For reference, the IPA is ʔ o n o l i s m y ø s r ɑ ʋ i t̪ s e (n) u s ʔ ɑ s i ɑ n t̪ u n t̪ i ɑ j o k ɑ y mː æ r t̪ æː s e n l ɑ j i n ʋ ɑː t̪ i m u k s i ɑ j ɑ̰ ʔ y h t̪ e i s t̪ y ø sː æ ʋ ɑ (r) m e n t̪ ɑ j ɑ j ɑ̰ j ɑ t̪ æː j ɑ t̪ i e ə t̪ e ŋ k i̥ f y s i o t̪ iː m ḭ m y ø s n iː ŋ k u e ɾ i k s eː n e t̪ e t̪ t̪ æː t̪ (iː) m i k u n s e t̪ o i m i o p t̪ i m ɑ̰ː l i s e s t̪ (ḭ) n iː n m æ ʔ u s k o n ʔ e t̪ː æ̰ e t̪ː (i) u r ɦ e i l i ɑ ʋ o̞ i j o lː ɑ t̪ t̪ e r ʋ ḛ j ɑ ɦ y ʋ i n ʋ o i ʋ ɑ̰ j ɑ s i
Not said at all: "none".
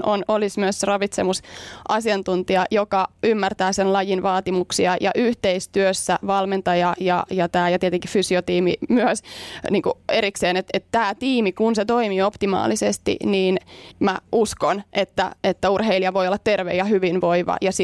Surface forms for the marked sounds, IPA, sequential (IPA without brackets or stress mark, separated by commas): m, l, iː, ḭ, æ